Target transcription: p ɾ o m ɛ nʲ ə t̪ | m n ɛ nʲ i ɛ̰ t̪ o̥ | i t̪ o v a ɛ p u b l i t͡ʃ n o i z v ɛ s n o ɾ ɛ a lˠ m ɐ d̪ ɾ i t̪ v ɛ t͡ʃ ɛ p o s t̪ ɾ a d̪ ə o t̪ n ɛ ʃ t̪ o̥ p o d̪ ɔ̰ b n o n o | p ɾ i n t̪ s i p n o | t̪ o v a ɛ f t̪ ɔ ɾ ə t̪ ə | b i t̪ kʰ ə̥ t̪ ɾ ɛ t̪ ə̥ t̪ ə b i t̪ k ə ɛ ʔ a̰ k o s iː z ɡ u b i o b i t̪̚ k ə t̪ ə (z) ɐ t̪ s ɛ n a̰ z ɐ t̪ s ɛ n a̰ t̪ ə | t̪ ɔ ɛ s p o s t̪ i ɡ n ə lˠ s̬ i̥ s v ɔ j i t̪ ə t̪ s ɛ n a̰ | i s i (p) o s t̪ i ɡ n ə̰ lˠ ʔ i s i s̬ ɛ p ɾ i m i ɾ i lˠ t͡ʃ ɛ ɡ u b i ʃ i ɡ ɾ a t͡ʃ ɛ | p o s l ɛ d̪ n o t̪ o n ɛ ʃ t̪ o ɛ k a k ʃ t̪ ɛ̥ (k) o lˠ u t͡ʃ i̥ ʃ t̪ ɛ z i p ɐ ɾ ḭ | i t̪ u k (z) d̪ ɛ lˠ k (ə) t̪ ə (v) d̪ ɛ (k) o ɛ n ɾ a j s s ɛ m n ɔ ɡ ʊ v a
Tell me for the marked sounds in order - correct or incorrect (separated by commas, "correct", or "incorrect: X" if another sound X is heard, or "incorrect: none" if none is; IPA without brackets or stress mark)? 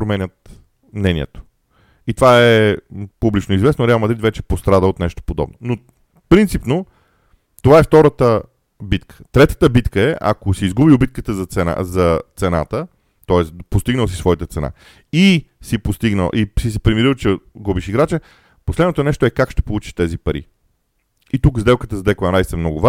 correct, correct, incorrect: p, correct, correct, incorrect: z, correct